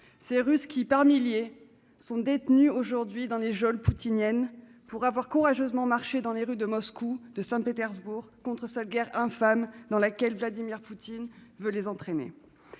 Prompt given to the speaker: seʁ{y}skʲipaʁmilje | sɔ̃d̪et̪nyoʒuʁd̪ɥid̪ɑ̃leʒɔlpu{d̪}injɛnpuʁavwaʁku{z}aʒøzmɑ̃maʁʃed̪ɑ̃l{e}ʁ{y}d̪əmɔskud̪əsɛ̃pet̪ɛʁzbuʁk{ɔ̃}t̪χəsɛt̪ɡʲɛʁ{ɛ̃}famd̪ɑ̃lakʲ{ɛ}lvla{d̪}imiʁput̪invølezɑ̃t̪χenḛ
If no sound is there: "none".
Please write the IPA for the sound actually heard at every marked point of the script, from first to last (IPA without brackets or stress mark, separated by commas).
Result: y, t̪, ʁ, e, y, ɔ̃, ɛ̃, ɛ, d̪